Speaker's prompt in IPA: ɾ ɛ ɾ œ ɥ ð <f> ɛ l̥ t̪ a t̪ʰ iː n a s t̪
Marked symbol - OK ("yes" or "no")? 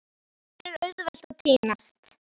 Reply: no